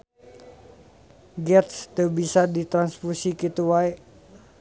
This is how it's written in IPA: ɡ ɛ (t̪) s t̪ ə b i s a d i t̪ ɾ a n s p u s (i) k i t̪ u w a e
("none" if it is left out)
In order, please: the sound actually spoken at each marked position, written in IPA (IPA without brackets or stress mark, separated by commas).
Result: t̪, i